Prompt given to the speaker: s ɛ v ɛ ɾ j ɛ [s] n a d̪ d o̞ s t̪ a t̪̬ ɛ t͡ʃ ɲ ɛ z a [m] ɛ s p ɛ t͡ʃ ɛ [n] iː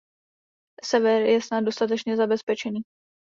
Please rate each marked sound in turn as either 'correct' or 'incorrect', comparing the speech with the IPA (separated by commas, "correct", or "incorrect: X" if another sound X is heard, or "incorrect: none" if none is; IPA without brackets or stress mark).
correct, incorrect: b, correct